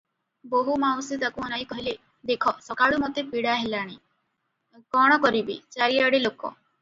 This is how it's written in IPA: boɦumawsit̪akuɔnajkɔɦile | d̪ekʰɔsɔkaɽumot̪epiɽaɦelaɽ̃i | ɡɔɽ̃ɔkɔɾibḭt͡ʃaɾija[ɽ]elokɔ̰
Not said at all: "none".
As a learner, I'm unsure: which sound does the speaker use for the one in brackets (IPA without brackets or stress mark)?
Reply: ɽ